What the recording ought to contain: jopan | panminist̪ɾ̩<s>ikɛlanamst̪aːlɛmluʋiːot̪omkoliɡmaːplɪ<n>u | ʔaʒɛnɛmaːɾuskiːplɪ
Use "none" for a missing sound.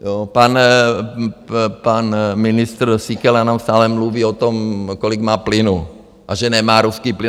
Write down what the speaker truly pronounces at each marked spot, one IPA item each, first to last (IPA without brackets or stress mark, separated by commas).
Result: s, n